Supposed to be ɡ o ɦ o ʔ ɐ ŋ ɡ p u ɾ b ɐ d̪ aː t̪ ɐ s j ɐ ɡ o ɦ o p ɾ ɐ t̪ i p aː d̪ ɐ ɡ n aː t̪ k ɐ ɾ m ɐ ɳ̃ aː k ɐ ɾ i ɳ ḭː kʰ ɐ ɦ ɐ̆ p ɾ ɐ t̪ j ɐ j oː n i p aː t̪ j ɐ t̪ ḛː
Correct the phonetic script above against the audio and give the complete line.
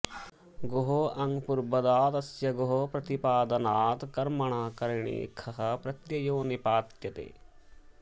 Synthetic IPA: ɡ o ɦ o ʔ ɐ ŋ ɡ p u ɾ b ɐ d̪ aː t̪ ɐ s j ɐ ɡ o ɦ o p ɾ ɐ t̪ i p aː d̪ ɐ n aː t̪ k ɐ ɾ m ɐ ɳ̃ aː k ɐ ɾ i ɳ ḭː kʰ ɐ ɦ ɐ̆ p ɾ ɐ t̪ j ɐ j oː n i p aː t̪ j ɐ t̪ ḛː

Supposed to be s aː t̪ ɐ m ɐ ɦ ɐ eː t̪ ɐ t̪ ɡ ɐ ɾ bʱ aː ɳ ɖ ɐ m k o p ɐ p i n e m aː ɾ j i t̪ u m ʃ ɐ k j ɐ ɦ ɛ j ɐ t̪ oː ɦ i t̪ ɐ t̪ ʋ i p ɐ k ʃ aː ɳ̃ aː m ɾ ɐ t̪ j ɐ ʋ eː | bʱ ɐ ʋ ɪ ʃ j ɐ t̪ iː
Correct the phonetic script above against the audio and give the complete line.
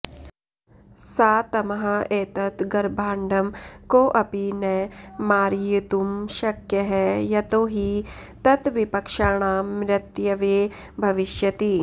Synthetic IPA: s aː t̪ ɐ m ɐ ɦ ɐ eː t̪ ɐ t̪ ɡ ɐ ɾ bʱ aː ɳ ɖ ɐ m k o ʔ ɐ p i n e m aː ɾ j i t̪ u m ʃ ɐ k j ɐ ɦ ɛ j ɐ t̪ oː ɦ i t̪ ɐ t̪ ʋ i p ɐ k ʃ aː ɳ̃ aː m ɾ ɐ t̪ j ɐ ʋ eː | bʱ ɐ ʋ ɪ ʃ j ɐ t̪ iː

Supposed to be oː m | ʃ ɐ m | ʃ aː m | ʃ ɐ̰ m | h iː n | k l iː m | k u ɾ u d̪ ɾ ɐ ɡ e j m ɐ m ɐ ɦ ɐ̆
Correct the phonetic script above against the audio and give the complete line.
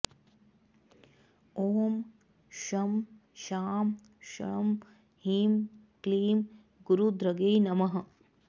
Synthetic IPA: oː m | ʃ ɐ m | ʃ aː m | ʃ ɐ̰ m | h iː m | k l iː m | ɡ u ɾ u d̪ ɾ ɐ ɡ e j n ɐ m ɐ ɦ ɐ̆

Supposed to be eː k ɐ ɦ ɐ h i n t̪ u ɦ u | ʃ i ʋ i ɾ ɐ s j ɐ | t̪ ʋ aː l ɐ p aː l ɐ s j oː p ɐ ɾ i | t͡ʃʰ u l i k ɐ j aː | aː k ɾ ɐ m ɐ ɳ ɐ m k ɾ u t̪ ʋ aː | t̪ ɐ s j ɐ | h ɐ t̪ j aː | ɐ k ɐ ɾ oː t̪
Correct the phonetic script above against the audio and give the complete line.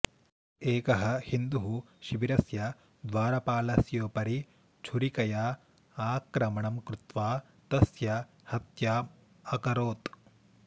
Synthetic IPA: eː k ɐ ɦ ɐ h i n d̪ u ɦ u | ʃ i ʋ i ɾ ɐ s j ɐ | d̪ ʋ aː ɾ ɐ p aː l ɐ s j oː p ɐ ɾ i | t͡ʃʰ u ɾ i k ɐ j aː | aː k ɾ ɐ m ɐ ɳ ɐ m k ɾ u t̪ ʋ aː | t̪ ɐ s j ɐ | h ɐ t̪ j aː | ɐ k ɐ ɾ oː t̪

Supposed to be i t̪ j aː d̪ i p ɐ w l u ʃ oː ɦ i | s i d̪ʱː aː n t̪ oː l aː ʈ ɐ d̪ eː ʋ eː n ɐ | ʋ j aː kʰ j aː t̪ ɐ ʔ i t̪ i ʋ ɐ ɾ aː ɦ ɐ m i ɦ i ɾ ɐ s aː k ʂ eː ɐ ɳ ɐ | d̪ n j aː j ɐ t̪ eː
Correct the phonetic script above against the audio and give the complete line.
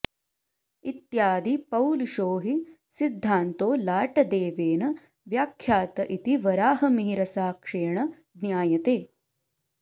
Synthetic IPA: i t̪ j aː d̪ i p ɐ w l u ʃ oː ɦ i | s i d̪ʱː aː n t̪ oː l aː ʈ ɐ d̪ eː ʋ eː n ɐ | ʋ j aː kʰ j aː t̪ ɐ ʔ i t̪ i ʋ ɐ ɾ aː ɦ ɐ m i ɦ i ɾ ɐ s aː k ʂ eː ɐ ɳ ɐ | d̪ n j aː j ɐ t̪ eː

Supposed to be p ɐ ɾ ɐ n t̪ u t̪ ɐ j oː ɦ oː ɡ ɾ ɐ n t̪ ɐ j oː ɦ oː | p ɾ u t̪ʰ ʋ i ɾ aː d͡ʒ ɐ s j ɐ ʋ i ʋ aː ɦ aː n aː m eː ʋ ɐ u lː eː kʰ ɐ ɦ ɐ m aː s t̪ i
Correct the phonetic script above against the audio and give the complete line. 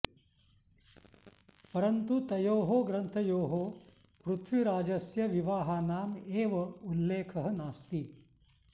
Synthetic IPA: p ɐ ɾ ɐ n t̪ u t̪ ɐ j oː ɦ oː ɡ ɾ ɐ n t̪ʰ ɐ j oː ɦ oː | p ɾ u t̪ʰ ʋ i ɾ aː d͡ʒ ɐ s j ɐ ʋ i ʋ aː ɦ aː n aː m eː ʋ ɐ u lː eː kʰ ɐ ɦ ɐ n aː s t̪ i

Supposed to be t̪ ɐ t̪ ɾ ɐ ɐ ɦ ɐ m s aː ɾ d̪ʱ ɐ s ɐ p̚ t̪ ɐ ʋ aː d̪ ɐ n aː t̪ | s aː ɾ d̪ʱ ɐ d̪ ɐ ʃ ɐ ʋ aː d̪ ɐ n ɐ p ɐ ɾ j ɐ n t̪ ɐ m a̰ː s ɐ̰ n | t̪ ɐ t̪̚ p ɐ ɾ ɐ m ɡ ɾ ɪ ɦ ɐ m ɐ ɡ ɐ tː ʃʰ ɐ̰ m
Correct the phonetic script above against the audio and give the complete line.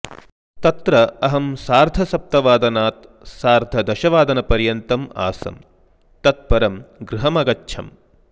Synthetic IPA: t̪ ɐ t̪ ɾ ɐ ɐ ɦ ɐ m s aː ɾ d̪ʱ ɐ s ɐ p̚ t̪ ɐ ʋ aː d̪ ɐ n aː t̪ | s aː ɾ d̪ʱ ɐ d̪ ɐ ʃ ɐ ʋ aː d̪ ɐ n ɐ p ɐ ɾ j ɐ n t̪ ɐ m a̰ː s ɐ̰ m | t̪ ɐ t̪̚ p ɐ ɾ ɐ m ɡ ɾ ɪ ɦ ɐ m ɐ ɡ ɐ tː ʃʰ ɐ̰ m

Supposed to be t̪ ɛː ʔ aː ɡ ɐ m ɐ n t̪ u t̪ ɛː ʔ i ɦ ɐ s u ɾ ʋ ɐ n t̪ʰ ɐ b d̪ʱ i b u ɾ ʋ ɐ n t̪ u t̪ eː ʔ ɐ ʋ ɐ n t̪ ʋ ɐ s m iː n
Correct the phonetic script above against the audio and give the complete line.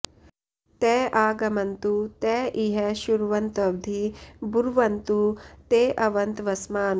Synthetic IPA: t̪ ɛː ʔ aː ɡ ɐ m ɐ n t̪ u t̪ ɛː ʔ i ɦ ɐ ʃ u ɾ ʋ ɐ n t̪ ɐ b d̪ʱ i b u ɾ ʋ ɐ n t̪ u t̪ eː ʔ ɐ ʋ ɐ n t̪ ʋ ɐ s m aː n

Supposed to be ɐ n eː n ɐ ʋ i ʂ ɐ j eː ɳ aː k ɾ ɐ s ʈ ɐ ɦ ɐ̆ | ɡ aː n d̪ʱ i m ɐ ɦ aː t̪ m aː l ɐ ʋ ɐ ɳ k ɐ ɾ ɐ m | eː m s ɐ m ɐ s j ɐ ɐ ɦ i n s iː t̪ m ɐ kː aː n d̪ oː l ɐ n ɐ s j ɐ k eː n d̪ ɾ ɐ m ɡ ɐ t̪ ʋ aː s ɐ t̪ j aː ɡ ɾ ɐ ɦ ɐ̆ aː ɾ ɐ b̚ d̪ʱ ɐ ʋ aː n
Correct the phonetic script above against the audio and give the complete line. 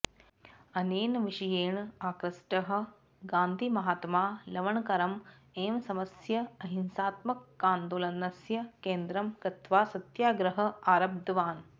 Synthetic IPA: ɐ n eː n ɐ ʋ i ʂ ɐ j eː ɳ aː k ɾ ɐ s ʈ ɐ ɦ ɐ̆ | ɡ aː n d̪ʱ i m ɐ ɦ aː t̪ m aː l ɐ ʋ ɐ ɳ k ɐ ɾ ɐ m | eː m s ɐ m ɐ s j ɐ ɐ ɦ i n s aː t̪ m ɐ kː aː n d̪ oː l ɐ n ɐ s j ɐ k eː n d̪ ɾ ɐ m k ɐ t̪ ʋ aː s ɐ t̪ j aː ɡ ɾ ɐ ɦ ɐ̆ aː ɾ ɐ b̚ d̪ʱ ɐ ʋ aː n

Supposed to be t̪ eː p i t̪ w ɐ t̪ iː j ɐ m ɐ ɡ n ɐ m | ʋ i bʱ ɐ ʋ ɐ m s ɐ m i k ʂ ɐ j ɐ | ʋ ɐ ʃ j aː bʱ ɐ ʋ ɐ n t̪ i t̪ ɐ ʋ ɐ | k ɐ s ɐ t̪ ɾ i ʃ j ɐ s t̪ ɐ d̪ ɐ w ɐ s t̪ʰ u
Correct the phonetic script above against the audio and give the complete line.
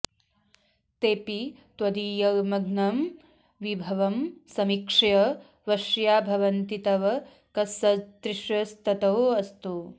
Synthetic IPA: t̪ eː p i t̪ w ɐ d̪ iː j ɐ m ɐ ɡ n ɐ m | ʋ i bʱ ɐ ʋ ɐ m s ɐ m i k ʂ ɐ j ɐ | ʋ ɐ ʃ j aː bʱ ɐ ʋ ɐ n t̪ i t̪ ɐ ʋ ɐ | k ɐ s ɐ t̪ ɾ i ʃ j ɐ s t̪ ɐ t̪ ɐ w ɐ s t̪ u

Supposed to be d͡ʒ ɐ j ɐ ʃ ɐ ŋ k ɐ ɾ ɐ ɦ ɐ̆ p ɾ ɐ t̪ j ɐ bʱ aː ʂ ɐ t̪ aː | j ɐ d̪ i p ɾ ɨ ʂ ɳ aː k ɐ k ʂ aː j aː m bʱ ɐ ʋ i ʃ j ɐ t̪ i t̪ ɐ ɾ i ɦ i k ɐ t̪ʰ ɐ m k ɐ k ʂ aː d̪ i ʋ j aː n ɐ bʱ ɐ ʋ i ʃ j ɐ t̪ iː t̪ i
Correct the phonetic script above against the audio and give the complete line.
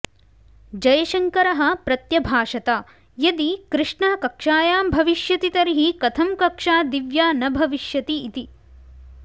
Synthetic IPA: d͡ʒ ɐ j ɐ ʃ ɐ ŋ k ɐ ɾ ɐ ɦ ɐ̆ p ɾ ɐ t̪ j ɐ bʱ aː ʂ ɐ t̪ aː | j ɐ d̪ i k ɾ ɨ ʂ ɳ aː k ɐ k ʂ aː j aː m bʱ ɐ ʋ i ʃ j ɐ t̪ i t̪ ɐ ɾ i ɦ i k ɐ t̪ʰ ɐ m k ɐ k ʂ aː d̪ i ʋ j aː n ɐ bʱ ɐ ʋ i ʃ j ɐ t̪ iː t̪ i

